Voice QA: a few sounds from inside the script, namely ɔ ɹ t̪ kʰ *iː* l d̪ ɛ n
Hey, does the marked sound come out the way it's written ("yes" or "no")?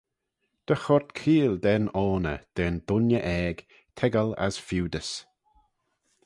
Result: yes